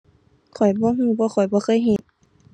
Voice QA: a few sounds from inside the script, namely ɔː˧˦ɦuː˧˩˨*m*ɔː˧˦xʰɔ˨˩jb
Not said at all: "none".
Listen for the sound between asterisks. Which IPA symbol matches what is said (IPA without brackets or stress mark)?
b